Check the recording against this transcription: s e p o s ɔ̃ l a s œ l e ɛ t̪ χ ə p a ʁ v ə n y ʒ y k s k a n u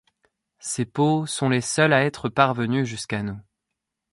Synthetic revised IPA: s e p o s ɔ̃ l e s œ l a ɛ t̪ χ ə p a ʁ v ə n y ʒ y s k a n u